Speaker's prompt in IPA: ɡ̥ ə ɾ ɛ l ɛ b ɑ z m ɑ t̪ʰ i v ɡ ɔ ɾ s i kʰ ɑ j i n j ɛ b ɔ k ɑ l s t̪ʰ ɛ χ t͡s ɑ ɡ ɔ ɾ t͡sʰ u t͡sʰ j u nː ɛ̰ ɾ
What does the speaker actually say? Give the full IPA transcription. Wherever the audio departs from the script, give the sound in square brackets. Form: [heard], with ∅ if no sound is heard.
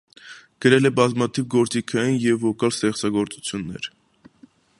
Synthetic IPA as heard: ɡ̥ ə ɾ ɛ l ɛ b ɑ z m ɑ t̪ʰ i v ɡ ɔ ɾ [t͡s] i kʰ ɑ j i n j ɛ [v] ɔ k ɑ l s [t̪] ɛ χ t͡s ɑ ɡ ɔ ɾ [t͡s] u t͡sʰ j u nː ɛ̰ ɾ